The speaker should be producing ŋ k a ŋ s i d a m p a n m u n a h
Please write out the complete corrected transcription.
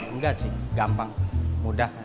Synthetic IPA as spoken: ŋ ɡ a s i ɡ a m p a ŋ m u d a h